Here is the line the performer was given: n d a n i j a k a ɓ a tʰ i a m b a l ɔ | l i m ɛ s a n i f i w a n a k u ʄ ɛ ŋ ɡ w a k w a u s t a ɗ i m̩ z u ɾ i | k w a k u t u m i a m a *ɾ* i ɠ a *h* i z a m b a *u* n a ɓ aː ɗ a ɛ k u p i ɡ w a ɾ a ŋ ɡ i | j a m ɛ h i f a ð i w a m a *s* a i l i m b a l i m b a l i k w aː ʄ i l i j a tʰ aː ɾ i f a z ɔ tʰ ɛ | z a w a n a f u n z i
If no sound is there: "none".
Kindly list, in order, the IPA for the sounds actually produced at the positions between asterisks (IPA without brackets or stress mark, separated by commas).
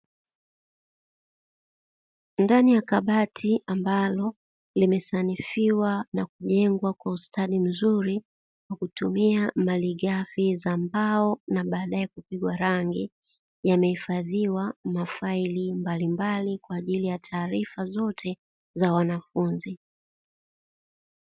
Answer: l, f, ɔ, f